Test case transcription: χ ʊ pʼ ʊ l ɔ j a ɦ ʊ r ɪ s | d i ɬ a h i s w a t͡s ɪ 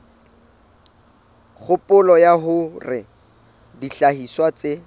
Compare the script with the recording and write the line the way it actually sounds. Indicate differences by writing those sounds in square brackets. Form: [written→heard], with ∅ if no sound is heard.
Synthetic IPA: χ ʊ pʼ ʊ l ɔ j a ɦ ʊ r ɪ [s→∅] | d i ɬ a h i s w a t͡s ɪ